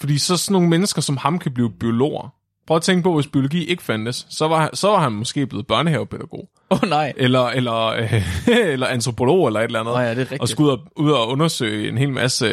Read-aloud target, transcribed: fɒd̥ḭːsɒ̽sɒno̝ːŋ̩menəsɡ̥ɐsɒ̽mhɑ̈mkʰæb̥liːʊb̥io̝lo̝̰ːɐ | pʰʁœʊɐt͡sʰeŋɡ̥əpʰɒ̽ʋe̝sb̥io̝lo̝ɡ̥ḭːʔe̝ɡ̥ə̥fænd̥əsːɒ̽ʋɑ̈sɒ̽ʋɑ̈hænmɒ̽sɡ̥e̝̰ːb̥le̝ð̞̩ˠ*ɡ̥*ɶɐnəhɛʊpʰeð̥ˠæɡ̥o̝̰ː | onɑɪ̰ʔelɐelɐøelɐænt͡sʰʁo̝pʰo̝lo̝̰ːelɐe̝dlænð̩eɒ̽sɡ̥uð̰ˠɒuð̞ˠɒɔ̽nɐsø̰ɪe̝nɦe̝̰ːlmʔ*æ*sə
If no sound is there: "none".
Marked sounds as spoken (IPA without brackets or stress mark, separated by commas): b̥, æ